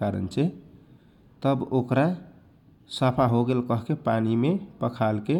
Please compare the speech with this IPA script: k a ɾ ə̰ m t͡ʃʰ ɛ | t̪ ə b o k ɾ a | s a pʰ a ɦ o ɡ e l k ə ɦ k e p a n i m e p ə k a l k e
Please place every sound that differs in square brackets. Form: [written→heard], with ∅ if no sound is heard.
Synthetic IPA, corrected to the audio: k a ɾ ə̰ [m→n] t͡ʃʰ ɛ | t̪ ə b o k ɾ a | s a pʰ a ɦ o ɡ e l k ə ɦ k e p a n i m e p ə [k→kʰ] a l k e